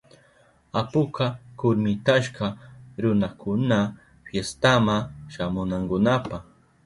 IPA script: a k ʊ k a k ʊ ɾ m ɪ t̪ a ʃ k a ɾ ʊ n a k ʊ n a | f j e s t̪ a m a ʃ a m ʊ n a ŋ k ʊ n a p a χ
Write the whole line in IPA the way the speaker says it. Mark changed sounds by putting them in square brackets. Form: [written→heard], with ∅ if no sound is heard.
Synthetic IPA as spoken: a [k→p] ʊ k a k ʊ ɾ m ɪ t̪ a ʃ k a ɾ ʊ n a k ʊ n a | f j e s t̪ a m a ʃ a m ʊ n a ŋ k ʊ n a p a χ